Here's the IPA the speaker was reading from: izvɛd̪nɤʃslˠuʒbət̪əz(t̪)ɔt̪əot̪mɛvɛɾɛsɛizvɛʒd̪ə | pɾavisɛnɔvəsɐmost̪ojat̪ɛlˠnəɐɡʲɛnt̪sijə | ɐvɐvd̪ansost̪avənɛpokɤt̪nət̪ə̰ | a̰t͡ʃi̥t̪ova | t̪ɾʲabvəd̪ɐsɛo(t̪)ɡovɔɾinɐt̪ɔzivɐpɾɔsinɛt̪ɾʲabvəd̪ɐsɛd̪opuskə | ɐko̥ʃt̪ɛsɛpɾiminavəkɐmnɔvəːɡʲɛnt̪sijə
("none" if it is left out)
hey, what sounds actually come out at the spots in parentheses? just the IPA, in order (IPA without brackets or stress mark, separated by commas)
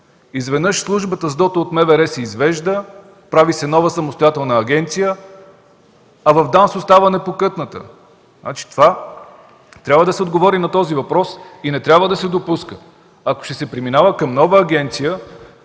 d̪, d̪